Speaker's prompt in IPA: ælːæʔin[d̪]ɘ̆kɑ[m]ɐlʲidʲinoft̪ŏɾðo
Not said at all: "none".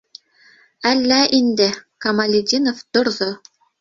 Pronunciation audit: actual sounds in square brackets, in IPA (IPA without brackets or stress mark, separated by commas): d̪, m